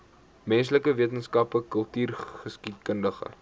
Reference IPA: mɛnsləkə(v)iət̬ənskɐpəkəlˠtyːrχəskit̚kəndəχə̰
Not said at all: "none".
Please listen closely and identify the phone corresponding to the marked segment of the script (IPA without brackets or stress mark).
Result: v